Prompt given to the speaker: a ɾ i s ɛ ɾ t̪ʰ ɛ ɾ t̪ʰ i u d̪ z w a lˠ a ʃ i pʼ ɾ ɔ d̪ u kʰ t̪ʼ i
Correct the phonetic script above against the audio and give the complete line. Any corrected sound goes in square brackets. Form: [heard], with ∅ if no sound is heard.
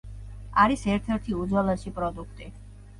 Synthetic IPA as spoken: a ɾ i s ɛ ɾ t̪ʰ ɛ ɾ t̪ʰ i u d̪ z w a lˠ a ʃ i pʼ ɾ ɔ d̪ u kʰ t̪ʼ i